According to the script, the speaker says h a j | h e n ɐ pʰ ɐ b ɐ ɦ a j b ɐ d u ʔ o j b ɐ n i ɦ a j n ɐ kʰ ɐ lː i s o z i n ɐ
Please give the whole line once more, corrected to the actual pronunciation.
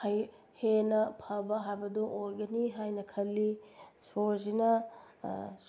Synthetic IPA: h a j | h e n ɐ pʰ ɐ b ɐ ɦ a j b ɐ d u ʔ o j ɡ ɐ n i ɦ a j n ɐ kʰ ɐ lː i s o z i n ɐ